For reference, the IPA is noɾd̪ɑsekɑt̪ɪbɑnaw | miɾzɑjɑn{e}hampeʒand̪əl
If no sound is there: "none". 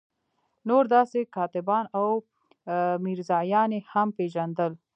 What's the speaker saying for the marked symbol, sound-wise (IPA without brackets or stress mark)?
e